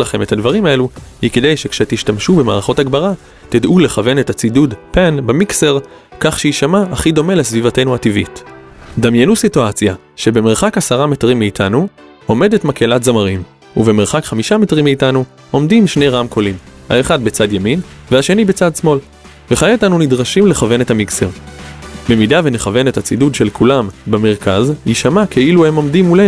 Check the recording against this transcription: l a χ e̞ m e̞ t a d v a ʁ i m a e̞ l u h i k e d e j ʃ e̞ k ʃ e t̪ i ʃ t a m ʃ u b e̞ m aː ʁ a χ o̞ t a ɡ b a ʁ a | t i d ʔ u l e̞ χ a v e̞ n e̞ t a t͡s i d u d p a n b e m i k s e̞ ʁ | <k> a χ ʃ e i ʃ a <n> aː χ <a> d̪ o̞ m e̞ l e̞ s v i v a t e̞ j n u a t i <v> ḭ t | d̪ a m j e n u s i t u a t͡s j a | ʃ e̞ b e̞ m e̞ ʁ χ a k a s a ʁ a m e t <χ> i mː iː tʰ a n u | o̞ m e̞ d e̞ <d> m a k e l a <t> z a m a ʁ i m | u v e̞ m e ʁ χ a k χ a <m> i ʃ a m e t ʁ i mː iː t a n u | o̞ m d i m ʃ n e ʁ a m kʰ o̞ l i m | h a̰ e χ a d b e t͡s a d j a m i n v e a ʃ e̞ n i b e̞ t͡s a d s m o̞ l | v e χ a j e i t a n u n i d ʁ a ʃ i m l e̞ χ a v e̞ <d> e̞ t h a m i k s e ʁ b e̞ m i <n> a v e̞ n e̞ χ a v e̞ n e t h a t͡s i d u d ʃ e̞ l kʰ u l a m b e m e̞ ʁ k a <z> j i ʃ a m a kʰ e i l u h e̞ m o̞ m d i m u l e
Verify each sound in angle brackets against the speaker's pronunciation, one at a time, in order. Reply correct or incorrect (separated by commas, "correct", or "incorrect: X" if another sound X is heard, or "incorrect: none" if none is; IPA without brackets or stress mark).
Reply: correct, incorrect: m, incorrect: i, correct, incorrect: ʁ, incorrect: t, correct, correct, incorrect: n, incorrect: d, correct